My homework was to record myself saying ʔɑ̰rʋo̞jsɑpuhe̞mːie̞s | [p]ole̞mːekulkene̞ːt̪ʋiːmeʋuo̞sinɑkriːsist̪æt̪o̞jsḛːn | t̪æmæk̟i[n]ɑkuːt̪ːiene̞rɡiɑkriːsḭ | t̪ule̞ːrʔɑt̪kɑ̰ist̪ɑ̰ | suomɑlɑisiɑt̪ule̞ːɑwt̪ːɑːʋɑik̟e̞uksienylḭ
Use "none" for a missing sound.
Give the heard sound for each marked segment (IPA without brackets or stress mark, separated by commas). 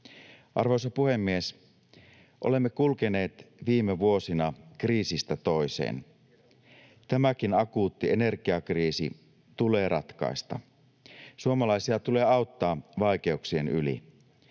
ʔ, n